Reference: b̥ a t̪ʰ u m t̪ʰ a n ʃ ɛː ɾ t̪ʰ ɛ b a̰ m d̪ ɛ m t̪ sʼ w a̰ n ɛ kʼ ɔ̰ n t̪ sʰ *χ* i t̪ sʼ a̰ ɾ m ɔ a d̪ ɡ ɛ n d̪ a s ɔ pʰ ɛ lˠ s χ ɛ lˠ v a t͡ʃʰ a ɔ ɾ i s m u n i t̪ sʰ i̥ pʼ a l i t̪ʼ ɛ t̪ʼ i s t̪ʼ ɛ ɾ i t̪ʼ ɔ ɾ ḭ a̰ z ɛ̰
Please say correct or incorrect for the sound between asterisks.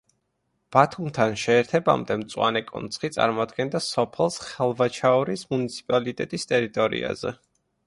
correct